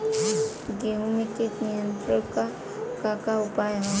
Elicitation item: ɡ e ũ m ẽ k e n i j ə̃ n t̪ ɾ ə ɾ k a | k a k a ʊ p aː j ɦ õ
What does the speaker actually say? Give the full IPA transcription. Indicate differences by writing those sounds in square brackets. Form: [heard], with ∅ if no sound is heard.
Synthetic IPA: ɡ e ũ m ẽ k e n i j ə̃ n t̪ ɾ ə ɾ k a | k a k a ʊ p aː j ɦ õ

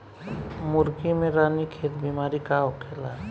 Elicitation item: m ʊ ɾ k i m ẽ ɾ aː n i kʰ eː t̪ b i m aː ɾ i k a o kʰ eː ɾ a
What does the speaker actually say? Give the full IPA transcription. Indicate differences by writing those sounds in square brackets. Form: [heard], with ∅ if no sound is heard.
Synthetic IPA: m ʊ ɾ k i m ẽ ɾ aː n i kʰ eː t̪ b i m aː ɾ i k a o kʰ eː [l] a

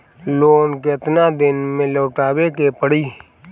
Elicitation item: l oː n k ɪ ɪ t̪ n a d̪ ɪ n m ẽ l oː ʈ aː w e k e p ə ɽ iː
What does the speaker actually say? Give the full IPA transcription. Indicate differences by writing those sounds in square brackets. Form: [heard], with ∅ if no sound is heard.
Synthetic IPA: l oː n k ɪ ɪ t̪ n a d̪ ɪ n m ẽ l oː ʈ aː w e k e p ə ɽ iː

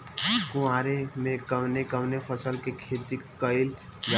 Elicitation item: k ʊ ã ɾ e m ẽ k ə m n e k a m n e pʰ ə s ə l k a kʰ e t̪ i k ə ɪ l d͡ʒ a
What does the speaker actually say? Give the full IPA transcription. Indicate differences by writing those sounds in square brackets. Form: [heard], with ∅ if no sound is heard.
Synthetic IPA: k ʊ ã ɾ e m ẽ k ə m n e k [ə] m n e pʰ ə s ə l k [e] kʰ e t̪ i k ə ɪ l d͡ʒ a

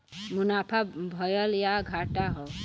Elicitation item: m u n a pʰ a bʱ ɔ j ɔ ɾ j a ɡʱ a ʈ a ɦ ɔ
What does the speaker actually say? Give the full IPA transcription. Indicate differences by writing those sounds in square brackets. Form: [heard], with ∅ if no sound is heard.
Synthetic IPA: m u n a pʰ a bʱ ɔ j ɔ [l] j a ɡʱ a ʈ a ɦ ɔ

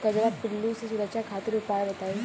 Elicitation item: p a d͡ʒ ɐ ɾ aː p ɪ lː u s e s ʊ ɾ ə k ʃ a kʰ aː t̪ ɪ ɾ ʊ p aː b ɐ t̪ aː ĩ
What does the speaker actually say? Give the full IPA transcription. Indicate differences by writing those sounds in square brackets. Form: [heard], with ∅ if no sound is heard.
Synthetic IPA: [k] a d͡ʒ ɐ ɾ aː p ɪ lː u s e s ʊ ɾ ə k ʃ a kʰ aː t̪ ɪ ɾ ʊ p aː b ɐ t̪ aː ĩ

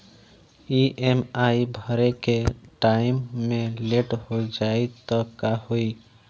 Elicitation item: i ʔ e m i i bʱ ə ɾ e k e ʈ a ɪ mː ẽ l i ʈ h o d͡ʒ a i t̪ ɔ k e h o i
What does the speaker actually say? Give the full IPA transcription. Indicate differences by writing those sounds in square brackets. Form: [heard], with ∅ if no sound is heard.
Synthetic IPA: i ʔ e m [a] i bʱ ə ɾ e k e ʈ a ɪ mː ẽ l [e] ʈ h o d͡ʒ a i t̪ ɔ k [a] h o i

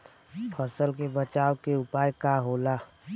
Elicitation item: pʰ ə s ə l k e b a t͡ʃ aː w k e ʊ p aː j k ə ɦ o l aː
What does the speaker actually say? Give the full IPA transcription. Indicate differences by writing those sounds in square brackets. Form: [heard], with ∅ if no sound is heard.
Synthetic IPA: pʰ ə s ə l k e b [ə] t͡ʃ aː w k e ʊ p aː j k [a] ɦ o l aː

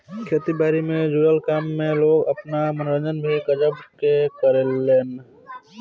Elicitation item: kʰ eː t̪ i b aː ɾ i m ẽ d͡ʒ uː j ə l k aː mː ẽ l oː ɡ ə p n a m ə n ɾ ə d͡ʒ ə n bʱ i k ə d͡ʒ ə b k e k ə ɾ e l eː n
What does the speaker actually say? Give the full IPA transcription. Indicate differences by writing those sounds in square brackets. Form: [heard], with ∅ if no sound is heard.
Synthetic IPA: kʰ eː t̪ i b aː ɾ i m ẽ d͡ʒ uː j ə l k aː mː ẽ l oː ɡ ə p n a m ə n ɾ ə d͡ʒ ə n bʱ i k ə d͡ʒ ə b k e k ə ɾ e l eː n

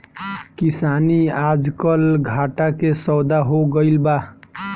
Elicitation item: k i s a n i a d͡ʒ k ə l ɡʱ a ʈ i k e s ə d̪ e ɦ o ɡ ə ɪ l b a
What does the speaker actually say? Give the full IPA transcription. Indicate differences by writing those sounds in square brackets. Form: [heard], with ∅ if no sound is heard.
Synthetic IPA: k i s a n i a d͡ʒ k ə l ɡʱ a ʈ [a] k e s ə d̪ [a] ɦ o ɡ ə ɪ l b a

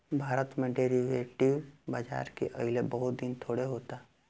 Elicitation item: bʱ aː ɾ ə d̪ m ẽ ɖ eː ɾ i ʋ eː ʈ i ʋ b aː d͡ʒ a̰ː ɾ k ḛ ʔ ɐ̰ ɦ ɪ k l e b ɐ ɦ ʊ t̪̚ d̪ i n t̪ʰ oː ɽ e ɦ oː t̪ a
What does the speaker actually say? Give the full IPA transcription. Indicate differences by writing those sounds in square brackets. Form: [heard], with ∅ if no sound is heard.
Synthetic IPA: bʱ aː ɾ ə [t̪] m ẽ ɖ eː ɾ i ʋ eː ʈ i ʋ b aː d͡ʒ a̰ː ɾ k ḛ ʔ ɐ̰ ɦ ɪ [∅] l e b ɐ ɦ ʊ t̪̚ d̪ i n t̪ʰ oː ɽ e ɦ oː t̪ a

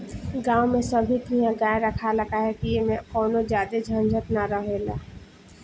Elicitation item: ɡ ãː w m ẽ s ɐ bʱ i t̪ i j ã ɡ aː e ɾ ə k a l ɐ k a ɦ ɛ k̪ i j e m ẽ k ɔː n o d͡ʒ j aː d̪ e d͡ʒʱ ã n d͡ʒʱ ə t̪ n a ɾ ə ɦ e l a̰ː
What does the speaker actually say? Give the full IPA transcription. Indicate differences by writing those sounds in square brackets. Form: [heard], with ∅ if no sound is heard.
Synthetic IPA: ɡ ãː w m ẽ s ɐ bʱ i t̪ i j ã ɡ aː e ɾ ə [kʰ] a l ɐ k a ɦ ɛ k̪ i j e m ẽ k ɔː n o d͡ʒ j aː d̪ e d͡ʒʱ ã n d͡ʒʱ ə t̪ n a ɾ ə ɦ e l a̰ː

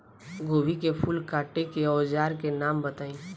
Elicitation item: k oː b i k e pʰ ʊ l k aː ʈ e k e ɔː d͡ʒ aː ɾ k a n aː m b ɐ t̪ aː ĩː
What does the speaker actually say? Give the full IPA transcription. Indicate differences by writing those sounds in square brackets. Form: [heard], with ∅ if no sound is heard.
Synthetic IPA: [ɡ] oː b i k e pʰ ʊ l k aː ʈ e k e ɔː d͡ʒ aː ɾ k [e] n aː m b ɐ t̪ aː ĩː

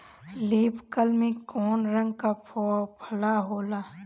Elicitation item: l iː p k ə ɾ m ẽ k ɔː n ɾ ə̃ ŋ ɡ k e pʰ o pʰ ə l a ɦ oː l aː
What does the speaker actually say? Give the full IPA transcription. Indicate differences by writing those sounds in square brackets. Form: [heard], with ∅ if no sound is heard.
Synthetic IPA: l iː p k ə [l] m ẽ k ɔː n ɾ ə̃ ŋ ɡ k [a] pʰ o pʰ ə l a ɦ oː l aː

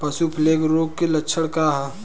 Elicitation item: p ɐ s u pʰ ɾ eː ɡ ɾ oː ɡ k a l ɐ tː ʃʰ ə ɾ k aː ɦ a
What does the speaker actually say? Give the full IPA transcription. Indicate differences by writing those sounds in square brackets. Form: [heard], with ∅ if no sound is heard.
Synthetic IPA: p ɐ s u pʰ [l] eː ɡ ɾ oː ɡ k [e] l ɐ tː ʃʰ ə [ɽ] k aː ɦ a

